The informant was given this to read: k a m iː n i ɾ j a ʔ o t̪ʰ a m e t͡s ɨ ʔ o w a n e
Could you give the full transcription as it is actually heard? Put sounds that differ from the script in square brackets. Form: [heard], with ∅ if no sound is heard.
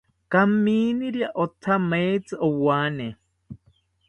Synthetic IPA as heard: k a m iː n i ɾ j a ʔ o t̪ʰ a m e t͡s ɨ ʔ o w a n e